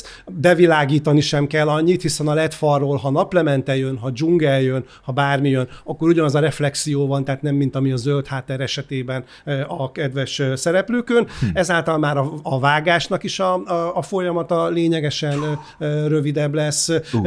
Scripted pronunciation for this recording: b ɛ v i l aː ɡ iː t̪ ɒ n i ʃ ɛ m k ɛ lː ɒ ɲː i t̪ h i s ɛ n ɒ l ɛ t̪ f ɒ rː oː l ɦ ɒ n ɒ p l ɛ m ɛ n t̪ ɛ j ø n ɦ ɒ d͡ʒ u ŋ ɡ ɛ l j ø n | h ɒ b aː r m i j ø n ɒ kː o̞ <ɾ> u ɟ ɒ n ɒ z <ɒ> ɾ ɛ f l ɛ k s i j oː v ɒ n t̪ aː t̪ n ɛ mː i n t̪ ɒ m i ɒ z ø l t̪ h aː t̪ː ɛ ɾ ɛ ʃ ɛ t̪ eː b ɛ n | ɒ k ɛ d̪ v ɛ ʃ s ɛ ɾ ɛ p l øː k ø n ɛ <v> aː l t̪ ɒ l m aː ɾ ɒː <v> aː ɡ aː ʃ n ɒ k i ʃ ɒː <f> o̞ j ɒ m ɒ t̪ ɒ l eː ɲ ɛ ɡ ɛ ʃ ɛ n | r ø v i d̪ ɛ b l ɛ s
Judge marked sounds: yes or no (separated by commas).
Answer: yes, yes, no, yes, yes